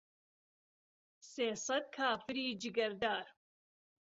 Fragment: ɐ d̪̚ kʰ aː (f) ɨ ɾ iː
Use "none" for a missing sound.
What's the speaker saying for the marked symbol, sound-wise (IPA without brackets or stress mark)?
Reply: f